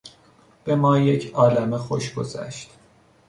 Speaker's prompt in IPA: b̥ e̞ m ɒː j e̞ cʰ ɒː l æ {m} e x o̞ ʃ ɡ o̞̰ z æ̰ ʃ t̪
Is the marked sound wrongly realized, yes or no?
no